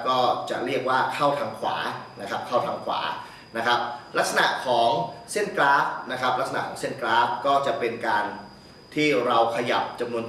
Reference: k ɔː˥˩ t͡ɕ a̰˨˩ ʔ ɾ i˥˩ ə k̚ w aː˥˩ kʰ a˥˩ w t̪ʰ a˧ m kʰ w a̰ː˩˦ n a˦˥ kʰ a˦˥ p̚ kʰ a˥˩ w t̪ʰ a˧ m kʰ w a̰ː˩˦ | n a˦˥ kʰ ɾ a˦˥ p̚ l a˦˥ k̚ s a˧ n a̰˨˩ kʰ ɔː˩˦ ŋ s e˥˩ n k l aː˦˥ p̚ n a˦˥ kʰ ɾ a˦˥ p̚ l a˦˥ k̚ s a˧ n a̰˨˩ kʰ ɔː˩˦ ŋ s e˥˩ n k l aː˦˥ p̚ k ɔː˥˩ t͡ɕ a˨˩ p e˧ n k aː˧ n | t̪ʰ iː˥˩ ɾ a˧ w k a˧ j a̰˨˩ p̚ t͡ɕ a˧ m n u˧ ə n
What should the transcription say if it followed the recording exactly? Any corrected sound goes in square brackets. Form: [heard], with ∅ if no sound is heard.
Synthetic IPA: k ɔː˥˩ t͡ɕ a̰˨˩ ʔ ɾ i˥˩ ə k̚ w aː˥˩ kʰ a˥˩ w t̪ʰ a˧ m kʰ w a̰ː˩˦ n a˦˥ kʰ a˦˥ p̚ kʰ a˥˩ w t̪ʰ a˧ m kʰ w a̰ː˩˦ | n a˦˥ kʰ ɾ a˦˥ p̚ l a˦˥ k̚ s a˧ n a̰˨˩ kʰ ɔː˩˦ ŋ s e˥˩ n k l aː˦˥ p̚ n a˦˥ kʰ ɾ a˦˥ p̚ l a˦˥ k̚ s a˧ n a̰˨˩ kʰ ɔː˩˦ ŋ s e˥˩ n k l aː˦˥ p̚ k ɔː˥˩ t͡ɕ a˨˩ p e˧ n k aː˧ n | t̪ʰ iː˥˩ ɾ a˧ w [kʰ] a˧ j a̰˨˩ p̚ t͡ɕ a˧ m n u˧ ə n